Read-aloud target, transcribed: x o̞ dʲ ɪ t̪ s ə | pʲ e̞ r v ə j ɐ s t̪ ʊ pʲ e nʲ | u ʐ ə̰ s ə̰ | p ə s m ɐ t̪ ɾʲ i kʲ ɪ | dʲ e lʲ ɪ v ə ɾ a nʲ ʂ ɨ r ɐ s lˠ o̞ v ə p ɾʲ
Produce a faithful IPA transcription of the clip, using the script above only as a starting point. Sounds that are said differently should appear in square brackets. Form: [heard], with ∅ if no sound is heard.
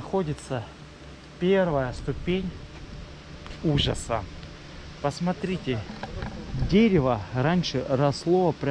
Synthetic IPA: x o̞ dʲ ɪ t̪ s ə | pʲ e̞ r v ə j [ə] s t̪ ʊ pʲ e nʲ | u ʐ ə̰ s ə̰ | p ə s m ɐ t̪ ɾʲ i [tʲ] ɪ | dʲ e [ɾʲ] ɪ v ə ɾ a nʲ ʂ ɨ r ɐ s lˠ o̞ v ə p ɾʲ

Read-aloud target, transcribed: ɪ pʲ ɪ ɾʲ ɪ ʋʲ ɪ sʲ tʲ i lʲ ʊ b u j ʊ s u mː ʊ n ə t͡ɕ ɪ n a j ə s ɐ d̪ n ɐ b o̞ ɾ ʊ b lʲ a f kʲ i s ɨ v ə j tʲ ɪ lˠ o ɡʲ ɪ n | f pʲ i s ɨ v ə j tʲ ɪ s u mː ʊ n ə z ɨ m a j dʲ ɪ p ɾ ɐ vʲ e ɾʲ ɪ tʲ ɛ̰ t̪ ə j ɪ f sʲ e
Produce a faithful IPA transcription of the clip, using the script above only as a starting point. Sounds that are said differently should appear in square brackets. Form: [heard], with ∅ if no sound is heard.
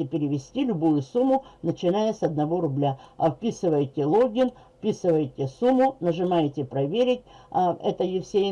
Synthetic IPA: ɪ pʲ ɪ ɾʲ ɪ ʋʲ ɪ sʲ tʲ i lʲ ʊ b u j ʊ s u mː ʊ n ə t͡ɕ ɪ n a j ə s ɐ d̪ n ɐ [v] o̞ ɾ ʊ b lʲ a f [pʲ] i s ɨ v ə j tʲ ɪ lˠ o ɡʲ ɪ n | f pʲ i s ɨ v ə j tʲ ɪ s u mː ʊ n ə [ʐ] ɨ m a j [tʲ] ɪ p ɾ ɐ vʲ e ɾʲ ɪ tʲ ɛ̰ t̪ ə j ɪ f sʲ e

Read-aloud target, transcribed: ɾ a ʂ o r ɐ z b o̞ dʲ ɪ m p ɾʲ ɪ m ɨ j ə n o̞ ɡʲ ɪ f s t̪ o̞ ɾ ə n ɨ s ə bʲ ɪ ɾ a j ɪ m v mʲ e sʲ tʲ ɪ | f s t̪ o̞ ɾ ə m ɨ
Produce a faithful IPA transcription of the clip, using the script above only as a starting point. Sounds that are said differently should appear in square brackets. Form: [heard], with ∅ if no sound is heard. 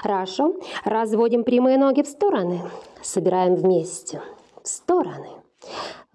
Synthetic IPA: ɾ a ʂ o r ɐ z [v] o̞ dʲ ɪ m p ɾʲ ɪ m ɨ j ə n o̞ ɡʲ ɪ f s t̪ o̞ ɾ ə n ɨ s ə bʲ ɪ ɾ a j ɪ m v mʲ e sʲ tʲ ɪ | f s t̪ o̞ ɾ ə [n] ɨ

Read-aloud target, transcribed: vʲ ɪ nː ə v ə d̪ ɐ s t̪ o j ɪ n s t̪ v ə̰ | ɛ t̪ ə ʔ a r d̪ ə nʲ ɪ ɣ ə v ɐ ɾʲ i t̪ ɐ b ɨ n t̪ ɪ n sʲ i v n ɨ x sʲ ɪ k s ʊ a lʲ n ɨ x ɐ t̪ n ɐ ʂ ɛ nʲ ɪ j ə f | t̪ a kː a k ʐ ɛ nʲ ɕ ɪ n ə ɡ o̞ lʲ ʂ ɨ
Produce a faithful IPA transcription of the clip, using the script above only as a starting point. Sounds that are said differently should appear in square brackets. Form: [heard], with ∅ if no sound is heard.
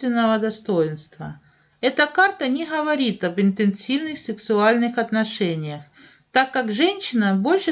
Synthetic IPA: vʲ ɪ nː ə v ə d̪ ɐ s t̪ o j ɪ n s t̪ v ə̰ | ɛ t̪ ə [k] a r [t̪] ə nʲ ɪ ɣ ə v ɐ ɾʲ i t̪ ɐ b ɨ n t̪ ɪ n sʲ i v n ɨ x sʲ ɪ k s ʊ a lʲ n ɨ x ɐ t̪ n ɐ ʂ ɛ nʲ ɪ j ə [x] | t̪ a kː a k ʐ ɛ nʲ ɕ ɪ n ə [b] o̞ lʲ ʂ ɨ

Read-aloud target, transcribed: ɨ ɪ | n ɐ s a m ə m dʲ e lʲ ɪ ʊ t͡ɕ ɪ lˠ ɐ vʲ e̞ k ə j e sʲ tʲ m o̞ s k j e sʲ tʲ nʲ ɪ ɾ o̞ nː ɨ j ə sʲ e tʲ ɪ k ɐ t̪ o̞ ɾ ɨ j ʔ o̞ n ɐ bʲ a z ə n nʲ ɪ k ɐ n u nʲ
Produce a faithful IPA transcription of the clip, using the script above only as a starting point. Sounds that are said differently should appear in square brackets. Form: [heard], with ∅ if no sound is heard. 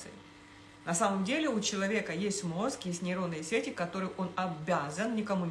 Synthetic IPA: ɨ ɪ | n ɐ s a m ə m dʲ e lʲ ɪ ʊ t͡ɕ ɪ lˠ ɐ vʲ e̞ k ə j e sʲ tʲ m o̞ s k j e sʲ tʲ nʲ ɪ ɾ o̞ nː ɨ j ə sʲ e tʲ ɪ k ɐ t̪ o̞ ɾ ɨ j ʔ o̞ n ɐ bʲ a z ə n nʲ ɪ k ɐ [m] u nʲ

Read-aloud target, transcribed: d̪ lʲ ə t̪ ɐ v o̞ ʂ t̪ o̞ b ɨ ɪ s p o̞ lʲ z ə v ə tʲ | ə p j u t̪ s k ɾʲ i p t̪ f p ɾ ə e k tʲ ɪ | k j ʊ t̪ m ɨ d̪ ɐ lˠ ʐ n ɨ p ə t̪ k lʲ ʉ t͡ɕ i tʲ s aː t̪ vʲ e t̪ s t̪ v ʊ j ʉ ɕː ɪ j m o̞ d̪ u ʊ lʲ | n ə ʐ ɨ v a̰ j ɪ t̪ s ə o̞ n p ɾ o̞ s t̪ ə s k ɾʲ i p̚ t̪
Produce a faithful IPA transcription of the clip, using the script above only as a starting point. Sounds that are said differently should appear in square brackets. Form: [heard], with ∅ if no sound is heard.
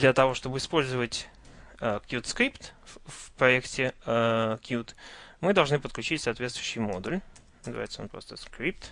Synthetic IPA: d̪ lʲ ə t̪ ɐ v o̞ ʂ t̪ o̞ b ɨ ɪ s p o̞ lʲ z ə v ə tʲ | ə [k] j u t̪ s k ɾʲ i p t̪ f p ɾ [ɐ] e k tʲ ɪ | k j [u] t̪ m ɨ d̪ ɐ lˠ ʐ n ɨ p ə t̪ k lʲ ʉ t͡ɕ i tʲ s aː t̪ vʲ e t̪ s t̪ v ʊ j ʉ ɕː ɪ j m o̞ d̪ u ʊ lʲ | n ə [z] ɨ v a̰ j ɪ t̪ s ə o̞ n p ɾ o̞ s t̪ ə s k ɾʲ i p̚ t̪

